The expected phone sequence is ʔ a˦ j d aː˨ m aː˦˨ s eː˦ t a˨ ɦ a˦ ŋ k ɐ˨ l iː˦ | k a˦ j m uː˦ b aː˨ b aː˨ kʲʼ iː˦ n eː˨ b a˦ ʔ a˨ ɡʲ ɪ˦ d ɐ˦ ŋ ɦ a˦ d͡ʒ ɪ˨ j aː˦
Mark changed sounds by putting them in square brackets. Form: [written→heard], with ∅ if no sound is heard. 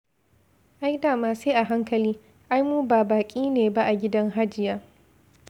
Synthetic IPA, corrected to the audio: ʔ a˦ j d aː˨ m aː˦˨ s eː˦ [t→ʔ] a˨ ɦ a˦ ŋ k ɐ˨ l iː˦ | [k→ʔ] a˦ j m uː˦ b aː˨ b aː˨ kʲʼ iː˦ n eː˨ b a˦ ʔ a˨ ɡʲ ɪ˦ d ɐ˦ ŋ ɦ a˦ d͡ʒ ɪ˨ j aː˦